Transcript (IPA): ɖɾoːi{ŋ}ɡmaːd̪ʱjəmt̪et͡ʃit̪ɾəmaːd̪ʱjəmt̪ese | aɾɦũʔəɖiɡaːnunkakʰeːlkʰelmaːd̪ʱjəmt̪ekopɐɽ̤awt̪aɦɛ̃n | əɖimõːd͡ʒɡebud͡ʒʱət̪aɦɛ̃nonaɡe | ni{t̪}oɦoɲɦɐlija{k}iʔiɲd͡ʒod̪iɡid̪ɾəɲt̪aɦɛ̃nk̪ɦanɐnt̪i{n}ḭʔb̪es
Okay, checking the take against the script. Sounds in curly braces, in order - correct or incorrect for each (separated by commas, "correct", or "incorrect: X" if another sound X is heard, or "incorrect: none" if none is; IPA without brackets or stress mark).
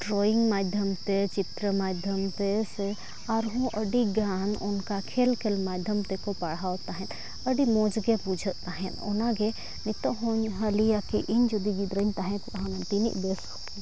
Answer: correct, correct, correct, correct